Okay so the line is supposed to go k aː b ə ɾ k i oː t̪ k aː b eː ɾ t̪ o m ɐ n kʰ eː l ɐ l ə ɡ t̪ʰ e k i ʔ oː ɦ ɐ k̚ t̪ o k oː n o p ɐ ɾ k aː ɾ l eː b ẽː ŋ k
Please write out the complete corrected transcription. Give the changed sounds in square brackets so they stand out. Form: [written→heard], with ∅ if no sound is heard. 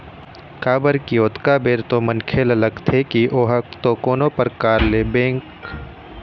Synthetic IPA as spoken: k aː b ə ɾ k i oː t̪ k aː b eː ɾ t̪ o m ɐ n kʰ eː l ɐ l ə ɡ t̪ʰ e k i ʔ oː ɦ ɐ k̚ t̪ o k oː n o p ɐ ɾ k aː ɾ l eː b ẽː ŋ k

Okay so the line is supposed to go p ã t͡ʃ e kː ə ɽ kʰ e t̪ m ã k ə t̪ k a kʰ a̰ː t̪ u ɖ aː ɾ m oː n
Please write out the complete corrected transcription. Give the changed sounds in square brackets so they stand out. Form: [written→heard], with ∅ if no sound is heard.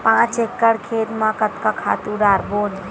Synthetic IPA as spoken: p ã t͡ʃ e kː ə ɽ kʰ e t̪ m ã k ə t̪ k a kʰ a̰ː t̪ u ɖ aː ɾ [m→b] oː n

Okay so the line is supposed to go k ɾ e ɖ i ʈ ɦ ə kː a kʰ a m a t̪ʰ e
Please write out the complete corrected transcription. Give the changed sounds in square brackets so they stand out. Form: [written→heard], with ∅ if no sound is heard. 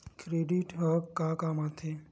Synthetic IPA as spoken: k ɾ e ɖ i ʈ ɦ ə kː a [kʰ→k] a m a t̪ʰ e

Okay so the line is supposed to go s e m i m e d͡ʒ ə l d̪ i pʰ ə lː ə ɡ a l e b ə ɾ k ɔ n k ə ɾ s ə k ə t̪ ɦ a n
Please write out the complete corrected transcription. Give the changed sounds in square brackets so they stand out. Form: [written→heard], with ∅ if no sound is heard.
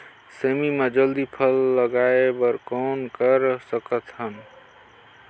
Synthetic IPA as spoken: s e m i m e d͡ʒ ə l d̪ i pʰ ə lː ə ɡ a [l→∅] e b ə ɾ k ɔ n k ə ɾ s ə k ə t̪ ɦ [a→ə] n

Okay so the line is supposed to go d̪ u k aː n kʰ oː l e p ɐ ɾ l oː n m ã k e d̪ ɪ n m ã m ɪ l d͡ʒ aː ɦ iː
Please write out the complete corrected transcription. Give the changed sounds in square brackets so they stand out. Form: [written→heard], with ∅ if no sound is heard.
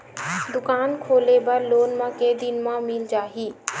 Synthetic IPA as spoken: d̪ [u→ʊ] k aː n kʰ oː l e [p→b] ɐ ɾ l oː n m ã k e d̪ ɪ n m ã m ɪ l d͡ʒ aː ɦ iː

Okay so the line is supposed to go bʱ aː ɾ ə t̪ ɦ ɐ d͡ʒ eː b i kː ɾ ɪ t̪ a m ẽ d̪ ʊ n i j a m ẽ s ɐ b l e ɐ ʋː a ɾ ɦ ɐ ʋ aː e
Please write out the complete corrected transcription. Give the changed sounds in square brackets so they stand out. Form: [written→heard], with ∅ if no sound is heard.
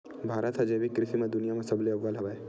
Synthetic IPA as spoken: bʱ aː ɾ ə t̪ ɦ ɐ d͡ʒ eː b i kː ɾ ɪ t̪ [a→i] m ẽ d̪ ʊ n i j a m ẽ s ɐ b l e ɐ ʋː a [ɾ→l] ɦ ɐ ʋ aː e

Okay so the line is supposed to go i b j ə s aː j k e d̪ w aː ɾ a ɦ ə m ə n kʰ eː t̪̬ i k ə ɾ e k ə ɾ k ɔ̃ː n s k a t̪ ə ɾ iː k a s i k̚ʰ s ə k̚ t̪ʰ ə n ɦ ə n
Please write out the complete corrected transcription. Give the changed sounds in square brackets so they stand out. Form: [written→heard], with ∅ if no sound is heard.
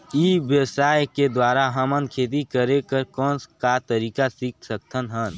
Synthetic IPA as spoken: i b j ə s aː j k e d̪ w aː ɾ a ɦ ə m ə n kʰ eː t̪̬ i k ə ɾ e k ə ɾ k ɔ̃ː n s k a t̪ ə ɾ iː k a s i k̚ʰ s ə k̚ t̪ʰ ə n ɦ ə n

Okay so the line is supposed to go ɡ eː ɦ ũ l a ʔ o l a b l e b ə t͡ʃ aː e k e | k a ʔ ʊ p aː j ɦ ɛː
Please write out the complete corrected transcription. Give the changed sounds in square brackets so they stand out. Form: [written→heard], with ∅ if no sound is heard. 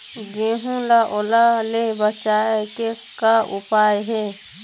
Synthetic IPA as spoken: ɡ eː ɦ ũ l a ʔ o l a [b→∅] l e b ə t͡ʃ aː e k e | k a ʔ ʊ p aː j ɦ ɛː

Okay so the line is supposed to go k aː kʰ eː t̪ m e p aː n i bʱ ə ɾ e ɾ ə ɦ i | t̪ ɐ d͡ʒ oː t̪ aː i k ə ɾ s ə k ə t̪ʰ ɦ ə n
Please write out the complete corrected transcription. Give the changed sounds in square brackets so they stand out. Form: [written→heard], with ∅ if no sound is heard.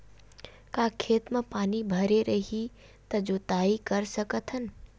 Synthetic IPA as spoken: k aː kʰ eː t̪ m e p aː n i bʱ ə ɾ e ɾ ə ɦ i | t̪ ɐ d͡ʒ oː t̪ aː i k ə ɾ s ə k ə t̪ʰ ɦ ə n

